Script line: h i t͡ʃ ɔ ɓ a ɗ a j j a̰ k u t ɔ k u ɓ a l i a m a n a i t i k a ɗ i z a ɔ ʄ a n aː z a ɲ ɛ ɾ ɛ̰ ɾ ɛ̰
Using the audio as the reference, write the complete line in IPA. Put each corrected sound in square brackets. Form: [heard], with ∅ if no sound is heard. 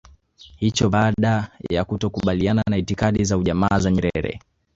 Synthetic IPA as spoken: h i t͡ʃ ɔ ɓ a ɗ a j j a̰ k u t ɔ k u ɓ a l i a [n] a n a i t i k a ɗ i z a [u] ʄ a [m] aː z a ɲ ɛ ɾ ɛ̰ ɾ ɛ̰